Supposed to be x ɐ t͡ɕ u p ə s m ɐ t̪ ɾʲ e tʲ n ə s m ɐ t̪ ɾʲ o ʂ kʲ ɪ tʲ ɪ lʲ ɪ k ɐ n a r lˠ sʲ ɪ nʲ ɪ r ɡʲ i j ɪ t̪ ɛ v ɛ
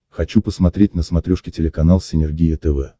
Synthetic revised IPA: x ɐ t͡ɕ u p ə s m ɐ t̪ ɾʲ e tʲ n ə s m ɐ t̪ ɾʲ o ʂ kʲ ɪ tʲ ɪ lʲ ɪ k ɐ n a lˠ sʲ ɪ nʲ ɪ r ɡʲ i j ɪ t̪ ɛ v ɛ